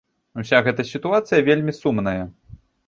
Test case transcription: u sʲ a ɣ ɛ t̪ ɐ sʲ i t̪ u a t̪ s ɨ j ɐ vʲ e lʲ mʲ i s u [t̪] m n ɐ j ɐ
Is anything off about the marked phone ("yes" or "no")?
yes